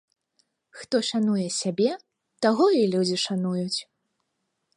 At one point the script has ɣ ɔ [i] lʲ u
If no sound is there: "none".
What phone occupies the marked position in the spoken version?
i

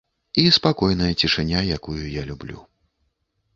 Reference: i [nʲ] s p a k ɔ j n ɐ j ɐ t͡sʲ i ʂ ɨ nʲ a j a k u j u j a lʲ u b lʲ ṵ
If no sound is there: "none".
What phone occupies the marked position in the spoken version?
none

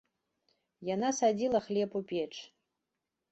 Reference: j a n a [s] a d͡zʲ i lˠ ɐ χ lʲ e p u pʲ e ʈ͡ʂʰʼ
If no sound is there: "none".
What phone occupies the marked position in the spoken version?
s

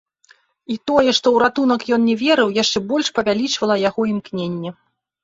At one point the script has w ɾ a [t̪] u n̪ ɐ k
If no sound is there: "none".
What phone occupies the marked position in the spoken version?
t̪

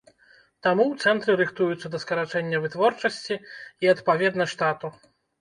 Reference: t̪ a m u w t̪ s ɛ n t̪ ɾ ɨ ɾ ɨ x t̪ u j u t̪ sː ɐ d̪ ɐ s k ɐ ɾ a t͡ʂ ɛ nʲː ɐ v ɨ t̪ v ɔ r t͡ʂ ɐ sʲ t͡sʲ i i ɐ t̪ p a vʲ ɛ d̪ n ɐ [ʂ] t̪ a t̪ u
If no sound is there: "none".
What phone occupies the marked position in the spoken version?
ʂ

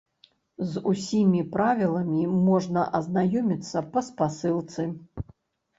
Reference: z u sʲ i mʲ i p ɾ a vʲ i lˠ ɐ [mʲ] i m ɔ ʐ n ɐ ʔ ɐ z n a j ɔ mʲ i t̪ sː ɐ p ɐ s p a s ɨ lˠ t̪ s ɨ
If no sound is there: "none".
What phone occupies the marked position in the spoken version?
mʲ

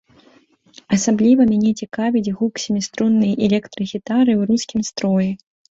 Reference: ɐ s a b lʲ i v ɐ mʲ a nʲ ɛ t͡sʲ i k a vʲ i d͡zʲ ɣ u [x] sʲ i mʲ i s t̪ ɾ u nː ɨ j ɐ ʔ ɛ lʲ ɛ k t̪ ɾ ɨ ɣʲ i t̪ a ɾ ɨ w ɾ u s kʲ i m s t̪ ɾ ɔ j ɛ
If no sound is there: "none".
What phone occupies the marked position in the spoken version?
k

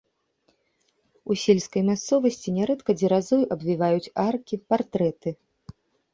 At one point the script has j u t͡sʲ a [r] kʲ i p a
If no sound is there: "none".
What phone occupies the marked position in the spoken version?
r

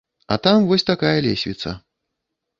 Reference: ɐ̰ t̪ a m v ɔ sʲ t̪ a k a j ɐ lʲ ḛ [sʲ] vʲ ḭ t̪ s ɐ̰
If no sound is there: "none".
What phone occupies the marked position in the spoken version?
sʲ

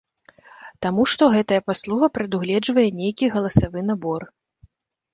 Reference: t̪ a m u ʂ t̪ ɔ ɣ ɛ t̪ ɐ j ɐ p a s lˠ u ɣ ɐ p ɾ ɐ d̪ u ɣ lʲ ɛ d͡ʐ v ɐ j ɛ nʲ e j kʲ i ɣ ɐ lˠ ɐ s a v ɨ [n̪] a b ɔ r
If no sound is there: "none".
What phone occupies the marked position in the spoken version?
n̪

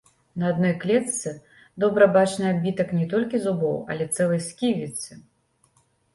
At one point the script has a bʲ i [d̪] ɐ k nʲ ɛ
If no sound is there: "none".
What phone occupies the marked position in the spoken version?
t̪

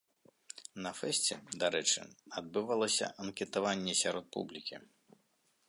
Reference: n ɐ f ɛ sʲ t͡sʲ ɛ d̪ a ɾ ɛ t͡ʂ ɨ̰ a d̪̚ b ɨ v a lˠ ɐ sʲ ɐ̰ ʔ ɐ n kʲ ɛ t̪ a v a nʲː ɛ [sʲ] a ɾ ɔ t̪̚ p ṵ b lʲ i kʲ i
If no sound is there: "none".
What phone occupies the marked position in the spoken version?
sʲ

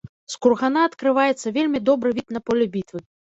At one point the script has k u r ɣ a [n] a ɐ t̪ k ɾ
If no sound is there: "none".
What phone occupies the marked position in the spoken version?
n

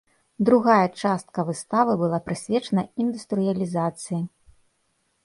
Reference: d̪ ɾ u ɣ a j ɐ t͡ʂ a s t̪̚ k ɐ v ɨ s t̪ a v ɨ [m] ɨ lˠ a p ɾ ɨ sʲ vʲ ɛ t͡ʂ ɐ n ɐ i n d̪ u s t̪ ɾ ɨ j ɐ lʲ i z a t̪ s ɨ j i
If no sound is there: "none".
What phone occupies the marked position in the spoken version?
b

